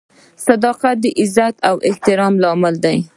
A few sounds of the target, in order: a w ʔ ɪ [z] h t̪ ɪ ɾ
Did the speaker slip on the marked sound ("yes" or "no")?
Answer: yes